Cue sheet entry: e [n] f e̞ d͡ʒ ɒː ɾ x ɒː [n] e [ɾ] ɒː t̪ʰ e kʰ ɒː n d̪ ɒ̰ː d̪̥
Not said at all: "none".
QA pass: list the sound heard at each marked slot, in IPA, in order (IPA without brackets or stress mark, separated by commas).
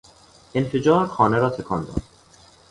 n, n, ɾ